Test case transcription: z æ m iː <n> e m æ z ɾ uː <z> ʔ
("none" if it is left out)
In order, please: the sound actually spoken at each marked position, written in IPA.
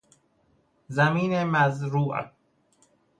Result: n, none

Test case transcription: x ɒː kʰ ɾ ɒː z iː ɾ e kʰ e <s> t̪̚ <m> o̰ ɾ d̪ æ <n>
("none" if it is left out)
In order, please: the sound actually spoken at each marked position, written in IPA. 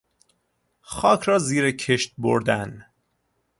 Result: ʃ, b, n

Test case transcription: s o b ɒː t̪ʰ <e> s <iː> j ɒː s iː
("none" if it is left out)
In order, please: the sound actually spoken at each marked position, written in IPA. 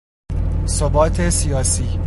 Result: e, i

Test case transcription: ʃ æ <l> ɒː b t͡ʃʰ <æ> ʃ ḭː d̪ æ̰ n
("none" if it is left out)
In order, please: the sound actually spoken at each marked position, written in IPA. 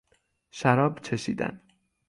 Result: ɾ, e

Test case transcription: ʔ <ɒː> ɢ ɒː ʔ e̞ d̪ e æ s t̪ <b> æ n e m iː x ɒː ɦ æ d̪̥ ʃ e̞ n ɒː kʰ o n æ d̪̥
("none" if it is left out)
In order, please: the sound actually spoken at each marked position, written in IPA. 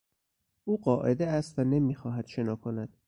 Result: uː, v

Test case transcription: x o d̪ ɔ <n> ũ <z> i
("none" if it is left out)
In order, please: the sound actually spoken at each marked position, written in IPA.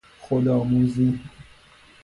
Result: m, z

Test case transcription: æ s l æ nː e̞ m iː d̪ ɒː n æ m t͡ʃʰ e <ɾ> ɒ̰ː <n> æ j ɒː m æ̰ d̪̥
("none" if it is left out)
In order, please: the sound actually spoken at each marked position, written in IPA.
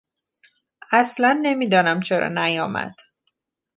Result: ɾ, n

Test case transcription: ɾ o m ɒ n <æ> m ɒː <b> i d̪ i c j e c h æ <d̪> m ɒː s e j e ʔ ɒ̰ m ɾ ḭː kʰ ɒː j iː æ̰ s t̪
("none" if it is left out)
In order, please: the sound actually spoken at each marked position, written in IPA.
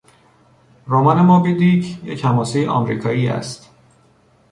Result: e, b, none

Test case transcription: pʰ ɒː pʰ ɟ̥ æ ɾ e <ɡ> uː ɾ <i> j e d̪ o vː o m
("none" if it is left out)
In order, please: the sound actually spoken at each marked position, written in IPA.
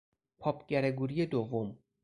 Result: ɡ, i

